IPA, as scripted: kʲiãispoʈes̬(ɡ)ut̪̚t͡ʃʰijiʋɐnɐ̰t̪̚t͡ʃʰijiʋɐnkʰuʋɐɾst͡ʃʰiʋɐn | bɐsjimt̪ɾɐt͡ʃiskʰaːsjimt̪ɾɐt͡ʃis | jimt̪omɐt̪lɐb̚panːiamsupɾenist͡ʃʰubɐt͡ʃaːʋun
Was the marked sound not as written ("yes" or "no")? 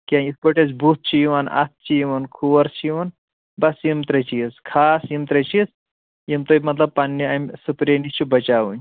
yes